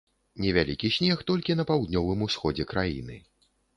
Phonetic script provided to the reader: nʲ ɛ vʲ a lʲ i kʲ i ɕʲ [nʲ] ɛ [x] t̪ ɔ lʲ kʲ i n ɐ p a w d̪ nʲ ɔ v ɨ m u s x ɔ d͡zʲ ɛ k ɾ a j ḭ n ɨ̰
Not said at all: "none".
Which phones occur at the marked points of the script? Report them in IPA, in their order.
nʲ, x

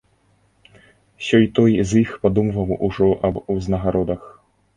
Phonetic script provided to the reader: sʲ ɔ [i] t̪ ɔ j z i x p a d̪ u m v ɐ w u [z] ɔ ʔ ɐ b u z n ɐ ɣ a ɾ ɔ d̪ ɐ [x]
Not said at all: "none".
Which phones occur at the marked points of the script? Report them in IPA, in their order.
j, ʐ, x

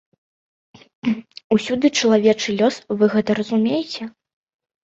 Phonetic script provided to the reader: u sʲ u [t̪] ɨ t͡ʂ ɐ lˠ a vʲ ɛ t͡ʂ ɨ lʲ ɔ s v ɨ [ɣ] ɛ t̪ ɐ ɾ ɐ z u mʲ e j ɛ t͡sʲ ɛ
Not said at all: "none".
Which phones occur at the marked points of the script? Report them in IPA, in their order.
d̪, ɣ

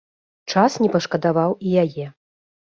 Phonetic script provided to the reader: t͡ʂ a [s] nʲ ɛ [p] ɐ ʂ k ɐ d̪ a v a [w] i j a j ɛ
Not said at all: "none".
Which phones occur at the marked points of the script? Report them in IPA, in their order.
s, p, w

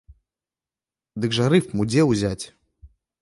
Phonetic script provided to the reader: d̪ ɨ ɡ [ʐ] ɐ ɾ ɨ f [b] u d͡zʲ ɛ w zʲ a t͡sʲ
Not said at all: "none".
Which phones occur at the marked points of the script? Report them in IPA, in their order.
ʐ, m

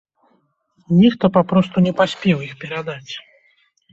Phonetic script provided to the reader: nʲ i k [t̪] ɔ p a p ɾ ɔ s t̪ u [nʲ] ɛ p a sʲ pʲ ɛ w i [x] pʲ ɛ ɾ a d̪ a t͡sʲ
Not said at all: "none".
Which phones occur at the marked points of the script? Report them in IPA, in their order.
t̪, nʲ, x

